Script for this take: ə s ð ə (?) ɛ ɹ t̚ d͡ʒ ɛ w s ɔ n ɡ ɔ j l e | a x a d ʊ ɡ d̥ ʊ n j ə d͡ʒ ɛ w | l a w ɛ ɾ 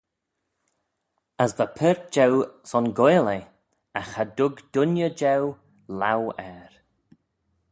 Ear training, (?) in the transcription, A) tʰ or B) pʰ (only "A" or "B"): B